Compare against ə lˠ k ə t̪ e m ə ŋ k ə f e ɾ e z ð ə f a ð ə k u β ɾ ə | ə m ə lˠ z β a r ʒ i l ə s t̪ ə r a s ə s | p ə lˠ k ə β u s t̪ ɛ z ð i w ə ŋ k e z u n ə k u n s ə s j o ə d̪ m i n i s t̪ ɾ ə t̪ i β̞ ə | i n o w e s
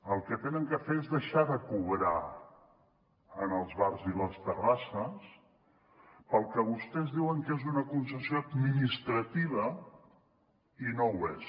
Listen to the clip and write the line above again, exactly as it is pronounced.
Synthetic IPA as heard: ə lˠ k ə t̪ e n ə ŋ k ə f e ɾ e z ð ə ʃ a ð ə k u β ɾ a | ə n ə lˠ z β a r z i l ə s t̪ ə r a s ə s | p ə lˠ k ə β u s t̪ ɛ z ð i w ə ŋ k e z u n ə k u n s ə s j o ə d̪ m i n i s t̪ ɾ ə t̪ i β̞ ə | i n o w e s

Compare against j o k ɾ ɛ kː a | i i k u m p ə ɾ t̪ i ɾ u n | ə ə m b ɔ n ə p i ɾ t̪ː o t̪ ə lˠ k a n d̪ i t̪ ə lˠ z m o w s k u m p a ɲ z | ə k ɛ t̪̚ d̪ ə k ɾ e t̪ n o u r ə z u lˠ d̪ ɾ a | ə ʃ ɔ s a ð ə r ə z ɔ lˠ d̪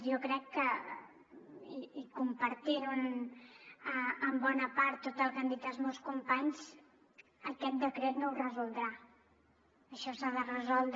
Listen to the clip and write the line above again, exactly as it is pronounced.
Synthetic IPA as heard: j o k ɾ ɛ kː ə | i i k u m p ə ɾ t̪ i ɾ u n | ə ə m b ɔ n ə p a ɾ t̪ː o t̪ ə lˠ k a n d̪ i t̪ ə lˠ z m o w s k u m p a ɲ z | ə k ɛ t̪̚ d̪ ə k ɾ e t̪ n o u r ə z u lˠ d̪ ɾ a | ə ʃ ɔ s a ð ə r ə z ɔ lˠ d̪

